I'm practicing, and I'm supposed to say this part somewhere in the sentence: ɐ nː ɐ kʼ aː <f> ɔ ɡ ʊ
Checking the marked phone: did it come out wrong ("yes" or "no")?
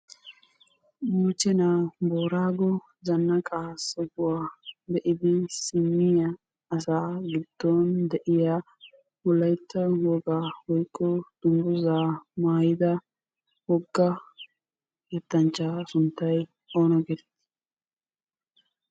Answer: yes